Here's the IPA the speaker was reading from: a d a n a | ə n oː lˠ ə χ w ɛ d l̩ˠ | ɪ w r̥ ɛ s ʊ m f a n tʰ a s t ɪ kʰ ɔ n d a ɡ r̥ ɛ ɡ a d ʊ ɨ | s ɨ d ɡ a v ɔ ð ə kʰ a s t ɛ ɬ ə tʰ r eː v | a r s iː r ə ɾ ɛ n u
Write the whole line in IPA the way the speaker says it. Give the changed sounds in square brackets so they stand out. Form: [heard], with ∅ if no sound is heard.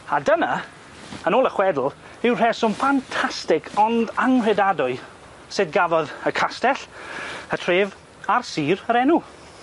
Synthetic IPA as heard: a d [ə] n a | ə n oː lˠ ə χ w ɛ d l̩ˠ | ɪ w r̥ ɛ s ʊ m f a n tʰ a s t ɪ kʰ ɔ n d a [ŋ] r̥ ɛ [d] a d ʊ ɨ | s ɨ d ɡ a v ɔ ð ə kʰ a s t ɛ ɬ ə tʰ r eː v | a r s iː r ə ɾ ɛ n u